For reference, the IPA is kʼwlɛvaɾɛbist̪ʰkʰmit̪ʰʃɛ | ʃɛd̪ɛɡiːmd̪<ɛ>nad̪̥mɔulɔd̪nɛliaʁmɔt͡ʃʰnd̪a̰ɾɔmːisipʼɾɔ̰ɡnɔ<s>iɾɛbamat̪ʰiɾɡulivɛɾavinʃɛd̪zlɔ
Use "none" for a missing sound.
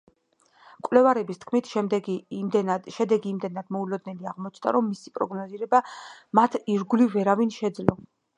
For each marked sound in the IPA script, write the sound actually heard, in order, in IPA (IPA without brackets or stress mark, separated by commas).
ɛ, z